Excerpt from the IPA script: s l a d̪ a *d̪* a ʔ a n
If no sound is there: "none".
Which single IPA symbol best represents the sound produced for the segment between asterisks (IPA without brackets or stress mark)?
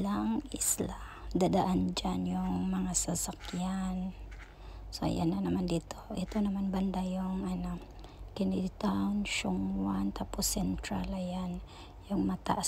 d̪